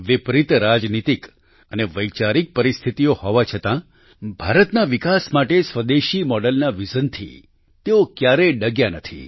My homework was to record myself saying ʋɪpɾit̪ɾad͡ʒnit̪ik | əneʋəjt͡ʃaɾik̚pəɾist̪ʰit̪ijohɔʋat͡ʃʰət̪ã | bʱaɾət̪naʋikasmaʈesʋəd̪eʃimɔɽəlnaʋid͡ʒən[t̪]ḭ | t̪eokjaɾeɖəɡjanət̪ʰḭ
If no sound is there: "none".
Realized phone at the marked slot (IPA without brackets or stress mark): t̪ʰ